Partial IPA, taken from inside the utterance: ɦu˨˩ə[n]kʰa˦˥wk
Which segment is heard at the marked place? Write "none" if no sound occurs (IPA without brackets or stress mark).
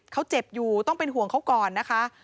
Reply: ŋ